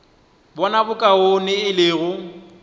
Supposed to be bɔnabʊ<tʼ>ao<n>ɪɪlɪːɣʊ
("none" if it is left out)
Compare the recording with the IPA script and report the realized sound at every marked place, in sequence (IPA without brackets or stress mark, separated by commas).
kʼ, n